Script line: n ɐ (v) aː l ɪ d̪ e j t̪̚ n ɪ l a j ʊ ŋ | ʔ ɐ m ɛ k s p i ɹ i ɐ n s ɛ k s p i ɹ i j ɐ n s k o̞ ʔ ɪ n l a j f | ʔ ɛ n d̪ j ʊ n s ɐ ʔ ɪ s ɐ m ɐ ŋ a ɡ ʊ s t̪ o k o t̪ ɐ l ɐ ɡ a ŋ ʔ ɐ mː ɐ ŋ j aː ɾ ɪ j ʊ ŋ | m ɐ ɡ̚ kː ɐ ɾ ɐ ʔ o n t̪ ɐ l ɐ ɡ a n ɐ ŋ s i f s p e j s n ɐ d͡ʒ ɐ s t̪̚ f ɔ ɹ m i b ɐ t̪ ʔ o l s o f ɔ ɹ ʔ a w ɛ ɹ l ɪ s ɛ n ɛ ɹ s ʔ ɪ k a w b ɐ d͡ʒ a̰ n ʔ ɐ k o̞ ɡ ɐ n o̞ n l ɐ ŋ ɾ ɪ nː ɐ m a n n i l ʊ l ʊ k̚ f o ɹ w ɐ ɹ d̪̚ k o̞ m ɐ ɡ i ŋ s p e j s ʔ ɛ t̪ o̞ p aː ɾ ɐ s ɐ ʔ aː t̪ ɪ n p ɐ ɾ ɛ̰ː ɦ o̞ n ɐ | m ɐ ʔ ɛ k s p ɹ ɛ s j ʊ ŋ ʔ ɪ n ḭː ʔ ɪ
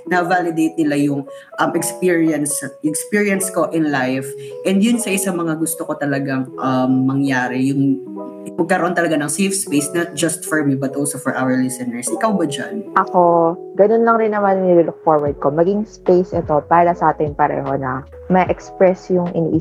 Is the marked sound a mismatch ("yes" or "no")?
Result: no